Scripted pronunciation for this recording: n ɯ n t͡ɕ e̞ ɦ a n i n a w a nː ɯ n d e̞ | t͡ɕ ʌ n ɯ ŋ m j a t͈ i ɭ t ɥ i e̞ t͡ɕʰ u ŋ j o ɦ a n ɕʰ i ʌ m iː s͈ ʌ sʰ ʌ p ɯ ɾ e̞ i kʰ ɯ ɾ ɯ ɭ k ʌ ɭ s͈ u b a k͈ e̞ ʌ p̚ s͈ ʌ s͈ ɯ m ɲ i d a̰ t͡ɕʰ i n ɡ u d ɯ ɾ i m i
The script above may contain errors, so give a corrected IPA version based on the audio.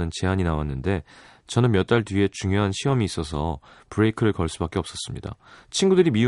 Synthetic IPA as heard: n ɯ n t͡ɕ e̞ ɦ a ɲ i n a w a nː ɯ n d e̞ | t͡ɕ ʌ n ɯ n m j ʌ t͈ a ɭ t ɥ i e̞ t͡ɕ u ŋ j o ɦ a n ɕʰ i ʌ m iː s͈ ʌ sʰ ʌ p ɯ ɾ e̞ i kʰ ɯ ɾ ɯ ɭ k ʌ ɭ s͈ u b a k͈ e̞ ʌ p̚ s͈ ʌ s͈ ɯ m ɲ i d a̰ t͡ɕʰ i n ɡ u d ɯ ɾ i m i